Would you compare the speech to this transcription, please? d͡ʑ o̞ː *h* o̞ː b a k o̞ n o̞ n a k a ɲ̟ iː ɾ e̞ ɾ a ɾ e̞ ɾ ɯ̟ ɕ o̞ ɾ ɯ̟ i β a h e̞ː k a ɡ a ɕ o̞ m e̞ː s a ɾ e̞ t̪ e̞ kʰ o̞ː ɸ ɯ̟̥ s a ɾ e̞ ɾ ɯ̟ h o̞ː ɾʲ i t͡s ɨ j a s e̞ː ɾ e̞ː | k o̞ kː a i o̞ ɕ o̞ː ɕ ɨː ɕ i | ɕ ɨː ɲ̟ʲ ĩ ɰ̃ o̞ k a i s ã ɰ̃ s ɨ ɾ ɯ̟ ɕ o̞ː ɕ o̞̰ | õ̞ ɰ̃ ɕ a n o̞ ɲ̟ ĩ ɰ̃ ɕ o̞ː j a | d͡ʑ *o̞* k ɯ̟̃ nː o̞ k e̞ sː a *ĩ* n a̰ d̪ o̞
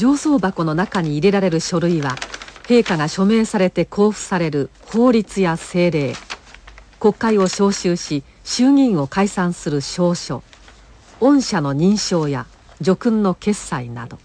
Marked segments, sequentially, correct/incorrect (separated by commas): incorrect, correct, incorrect